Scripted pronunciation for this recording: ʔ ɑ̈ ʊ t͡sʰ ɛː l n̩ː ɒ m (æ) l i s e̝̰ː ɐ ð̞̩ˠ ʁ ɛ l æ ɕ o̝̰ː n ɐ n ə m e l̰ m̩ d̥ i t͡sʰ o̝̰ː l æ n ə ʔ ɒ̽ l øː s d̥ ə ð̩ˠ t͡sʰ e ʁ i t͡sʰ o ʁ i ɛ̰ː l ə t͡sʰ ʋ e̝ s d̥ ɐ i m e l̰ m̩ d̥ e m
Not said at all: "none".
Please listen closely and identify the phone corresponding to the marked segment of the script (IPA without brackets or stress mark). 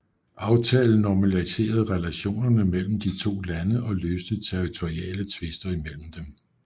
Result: æ